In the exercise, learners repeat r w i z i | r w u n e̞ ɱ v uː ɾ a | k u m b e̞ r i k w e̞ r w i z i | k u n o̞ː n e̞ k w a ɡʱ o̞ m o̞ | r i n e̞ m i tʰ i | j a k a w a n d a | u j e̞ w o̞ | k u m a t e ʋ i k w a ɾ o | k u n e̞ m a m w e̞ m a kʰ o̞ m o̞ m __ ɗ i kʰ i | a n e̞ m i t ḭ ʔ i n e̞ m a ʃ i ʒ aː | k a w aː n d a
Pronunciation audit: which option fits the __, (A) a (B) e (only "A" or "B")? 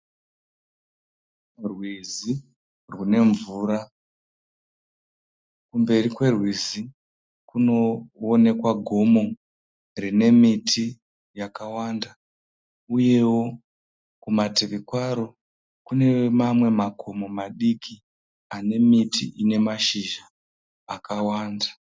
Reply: A